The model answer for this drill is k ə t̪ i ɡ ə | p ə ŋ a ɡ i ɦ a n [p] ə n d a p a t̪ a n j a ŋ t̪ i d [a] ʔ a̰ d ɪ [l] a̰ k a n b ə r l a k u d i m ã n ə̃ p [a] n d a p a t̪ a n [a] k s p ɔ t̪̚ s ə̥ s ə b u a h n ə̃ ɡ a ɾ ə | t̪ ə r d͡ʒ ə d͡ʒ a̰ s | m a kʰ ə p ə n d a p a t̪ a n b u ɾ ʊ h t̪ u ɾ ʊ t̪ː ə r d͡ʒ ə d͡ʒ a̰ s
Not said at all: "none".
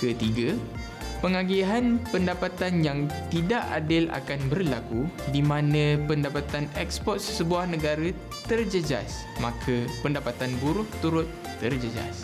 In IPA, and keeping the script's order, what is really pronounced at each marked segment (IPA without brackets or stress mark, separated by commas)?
p, a, l, ə, ɛ